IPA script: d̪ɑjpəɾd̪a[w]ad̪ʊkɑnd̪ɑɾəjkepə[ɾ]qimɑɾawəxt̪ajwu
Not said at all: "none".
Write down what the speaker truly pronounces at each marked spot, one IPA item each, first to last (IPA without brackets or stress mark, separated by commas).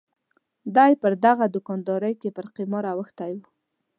ɣ, ɾ